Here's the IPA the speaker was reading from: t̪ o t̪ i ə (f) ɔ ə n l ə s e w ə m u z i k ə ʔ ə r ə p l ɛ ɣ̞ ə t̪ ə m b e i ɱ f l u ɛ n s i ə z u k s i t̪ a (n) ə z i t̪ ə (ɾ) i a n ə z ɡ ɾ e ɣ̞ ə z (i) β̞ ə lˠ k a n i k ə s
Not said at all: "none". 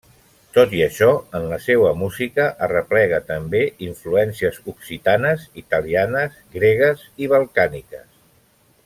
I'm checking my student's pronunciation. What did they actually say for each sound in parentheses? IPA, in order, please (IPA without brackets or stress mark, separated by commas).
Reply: ʃ, n, l, i